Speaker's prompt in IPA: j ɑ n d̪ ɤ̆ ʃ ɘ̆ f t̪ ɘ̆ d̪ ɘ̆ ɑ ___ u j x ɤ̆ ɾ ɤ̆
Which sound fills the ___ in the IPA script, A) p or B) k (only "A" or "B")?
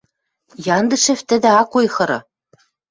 B